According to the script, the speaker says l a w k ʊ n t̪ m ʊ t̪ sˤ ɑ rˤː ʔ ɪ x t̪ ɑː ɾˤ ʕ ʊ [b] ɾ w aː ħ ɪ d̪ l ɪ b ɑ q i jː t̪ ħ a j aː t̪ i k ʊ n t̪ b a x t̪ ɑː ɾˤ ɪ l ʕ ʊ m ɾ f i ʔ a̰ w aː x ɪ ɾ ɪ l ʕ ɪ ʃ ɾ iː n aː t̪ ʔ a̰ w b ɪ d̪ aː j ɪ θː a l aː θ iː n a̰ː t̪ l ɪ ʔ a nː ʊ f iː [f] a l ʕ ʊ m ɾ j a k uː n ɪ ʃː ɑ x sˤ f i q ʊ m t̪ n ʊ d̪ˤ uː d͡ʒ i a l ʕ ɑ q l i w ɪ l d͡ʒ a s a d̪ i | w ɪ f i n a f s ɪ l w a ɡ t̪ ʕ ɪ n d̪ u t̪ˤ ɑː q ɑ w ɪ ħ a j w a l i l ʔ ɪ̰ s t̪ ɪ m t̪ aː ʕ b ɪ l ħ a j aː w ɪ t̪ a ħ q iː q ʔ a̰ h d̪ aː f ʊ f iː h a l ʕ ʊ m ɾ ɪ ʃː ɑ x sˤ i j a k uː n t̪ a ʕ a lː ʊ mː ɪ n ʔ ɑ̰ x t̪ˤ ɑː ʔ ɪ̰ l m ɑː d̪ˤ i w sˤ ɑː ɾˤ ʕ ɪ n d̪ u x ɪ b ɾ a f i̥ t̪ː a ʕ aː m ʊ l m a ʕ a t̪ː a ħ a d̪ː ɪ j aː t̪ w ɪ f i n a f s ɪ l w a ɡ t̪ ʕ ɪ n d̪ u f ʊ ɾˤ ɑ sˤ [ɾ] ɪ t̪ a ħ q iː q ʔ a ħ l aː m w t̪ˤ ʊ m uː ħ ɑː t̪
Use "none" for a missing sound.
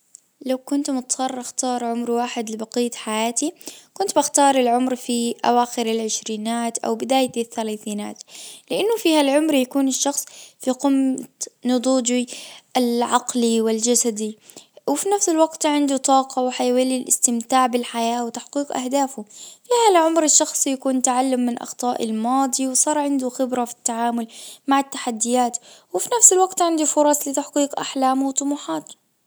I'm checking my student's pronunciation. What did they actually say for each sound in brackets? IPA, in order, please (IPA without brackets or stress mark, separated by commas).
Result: m, h, l